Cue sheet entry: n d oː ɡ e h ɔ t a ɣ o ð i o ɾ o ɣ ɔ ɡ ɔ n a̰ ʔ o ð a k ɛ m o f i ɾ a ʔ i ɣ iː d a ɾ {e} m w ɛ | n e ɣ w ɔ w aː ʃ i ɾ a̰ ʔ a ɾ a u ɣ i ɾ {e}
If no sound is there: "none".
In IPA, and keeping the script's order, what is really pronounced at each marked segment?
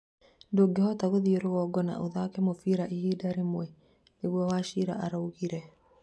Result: e, ɛ

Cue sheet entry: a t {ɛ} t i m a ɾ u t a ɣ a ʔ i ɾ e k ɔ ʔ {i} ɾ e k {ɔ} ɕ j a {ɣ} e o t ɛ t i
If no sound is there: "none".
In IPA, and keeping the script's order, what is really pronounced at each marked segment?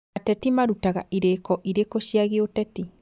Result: ɛ, i, o, ɣ

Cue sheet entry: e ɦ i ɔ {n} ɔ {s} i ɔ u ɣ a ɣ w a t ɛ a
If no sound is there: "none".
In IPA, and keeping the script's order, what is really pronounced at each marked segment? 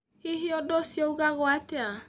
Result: d, s

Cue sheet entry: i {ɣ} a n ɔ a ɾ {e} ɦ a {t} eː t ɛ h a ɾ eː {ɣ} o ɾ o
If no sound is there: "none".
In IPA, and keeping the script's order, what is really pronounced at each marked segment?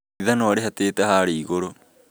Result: ð, e, t, ɣ

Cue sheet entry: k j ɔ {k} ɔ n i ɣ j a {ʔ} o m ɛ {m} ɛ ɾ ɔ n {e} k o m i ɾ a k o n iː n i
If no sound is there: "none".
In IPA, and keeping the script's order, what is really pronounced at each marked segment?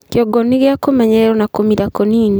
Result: ɡ, k, ɲ, a

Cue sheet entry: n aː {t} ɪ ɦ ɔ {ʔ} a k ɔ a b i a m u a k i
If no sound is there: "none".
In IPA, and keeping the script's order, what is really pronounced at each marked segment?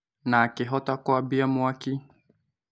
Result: k, t

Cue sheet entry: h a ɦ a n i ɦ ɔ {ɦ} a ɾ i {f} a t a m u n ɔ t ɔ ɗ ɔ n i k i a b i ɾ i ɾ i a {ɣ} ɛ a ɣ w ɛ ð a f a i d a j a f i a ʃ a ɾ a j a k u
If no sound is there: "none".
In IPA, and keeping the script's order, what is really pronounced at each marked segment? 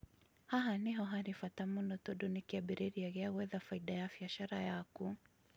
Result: ɦ, f, ɣ

